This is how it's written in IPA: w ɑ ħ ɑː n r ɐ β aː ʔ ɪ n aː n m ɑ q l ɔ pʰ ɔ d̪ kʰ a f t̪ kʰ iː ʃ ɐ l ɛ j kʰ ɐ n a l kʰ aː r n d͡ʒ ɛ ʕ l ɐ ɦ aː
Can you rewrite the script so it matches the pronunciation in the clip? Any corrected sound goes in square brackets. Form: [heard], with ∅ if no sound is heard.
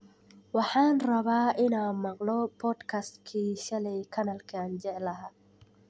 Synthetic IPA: w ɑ ħ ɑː n r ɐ β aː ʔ ɪ n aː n m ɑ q l ɔ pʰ ɔ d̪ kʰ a [s] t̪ kʰ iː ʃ ɐ l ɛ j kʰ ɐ n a l kʰ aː [∅] n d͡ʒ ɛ ʕ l ɐ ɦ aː